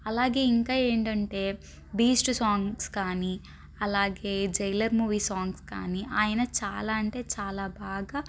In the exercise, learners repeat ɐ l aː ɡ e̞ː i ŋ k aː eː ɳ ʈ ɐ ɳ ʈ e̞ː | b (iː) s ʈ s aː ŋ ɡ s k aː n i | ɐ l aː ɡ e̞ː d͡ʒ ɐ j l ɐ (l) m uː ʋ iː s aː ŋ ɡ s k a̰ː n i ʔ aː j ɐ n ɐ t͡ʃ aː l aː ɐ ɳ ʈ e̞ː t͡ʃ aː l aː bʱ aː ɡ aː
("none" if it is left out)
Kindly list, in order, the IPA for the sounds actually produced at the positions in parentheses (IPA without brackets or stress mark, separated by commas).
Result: iː, ɾ